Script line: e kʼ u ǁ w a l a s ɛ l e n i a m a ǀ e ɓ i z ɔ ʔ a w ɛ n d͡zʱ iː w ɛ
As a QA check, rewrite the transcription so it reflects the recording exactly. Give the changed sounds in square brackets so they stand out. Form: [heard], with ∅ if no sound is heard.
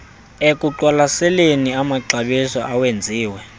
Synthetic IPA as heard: e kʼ u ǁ w a l a s ɛ l e n i a m a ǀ [a] ɓ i [s] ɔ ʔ a w [e] n d͡zʱ iː w ɛ